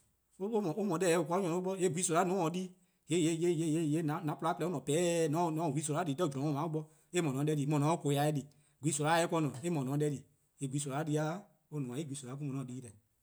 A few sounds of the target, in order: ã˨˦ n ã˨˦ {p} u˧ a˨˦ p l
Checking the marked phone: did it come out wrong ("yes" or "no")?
no